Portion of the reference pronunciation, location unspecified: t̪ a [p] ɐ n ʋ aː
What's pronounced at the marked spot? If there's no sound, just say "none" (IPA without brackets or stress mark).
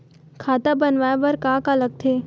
b